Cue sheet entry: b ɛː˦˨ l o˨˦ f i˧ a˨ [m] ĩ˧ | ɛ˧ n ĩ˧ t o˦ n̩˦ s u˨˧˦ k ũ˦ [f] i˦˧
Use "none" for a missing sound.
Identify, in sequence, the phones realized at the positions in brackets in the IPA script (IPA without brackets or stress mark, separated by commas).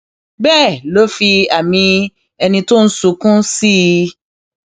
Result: m, s